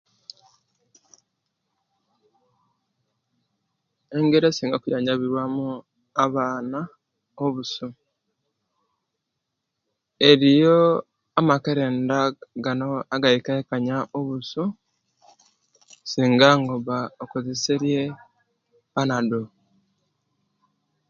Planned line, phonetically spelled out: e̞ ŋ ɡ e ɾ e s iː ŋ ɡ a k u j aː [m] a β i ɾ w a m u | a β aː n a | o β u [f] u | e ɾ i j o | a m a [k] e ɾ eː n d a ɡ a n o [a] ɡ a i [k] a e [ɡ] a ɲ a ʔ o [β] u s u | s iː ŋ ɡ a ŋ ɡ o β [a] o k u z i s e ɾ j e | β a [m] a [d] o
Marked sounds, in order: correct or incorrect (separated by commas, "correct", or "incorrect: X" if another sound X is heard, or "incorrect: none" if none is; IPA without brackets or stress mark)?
incorrect: ɲ, incorrect: s, correct, correct, correct, incorrect: k, correct, correct, incorrect: n, correct